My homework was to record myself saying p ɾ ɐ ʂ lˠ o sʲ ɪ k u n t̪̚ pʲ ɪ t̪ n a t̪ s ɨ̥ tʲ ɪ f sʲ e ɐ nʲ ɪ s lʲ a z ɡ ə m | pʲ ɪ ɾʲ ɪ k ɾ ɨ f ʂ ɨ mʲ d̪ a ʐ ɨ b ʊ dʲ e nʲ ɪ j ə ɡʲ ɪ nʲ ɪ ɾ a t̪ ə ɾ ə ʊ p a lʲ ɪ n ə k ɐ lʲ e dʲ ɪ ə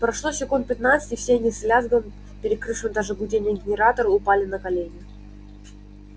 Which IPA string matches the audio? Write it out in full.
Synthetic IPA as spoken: p ɾ ɐ ʂ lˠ o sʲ ɪ k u n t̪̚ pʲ ɪ t̪ n a t̪ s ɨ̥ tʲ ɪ f sʲ e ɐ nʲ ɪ s lʲ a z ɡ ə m | pʲ ɪ ɾʲ ɪ k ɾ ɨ f ʂ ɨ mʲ d̪ a ʐ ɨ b ʊ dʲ e nʲ ɪ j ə ɡʲ ɪ nʲ ɪ ɾ a t̪ ə ɾ ə ʊ p a lʲ ɪ n ə k ɐ lʲ e nʲ ɪ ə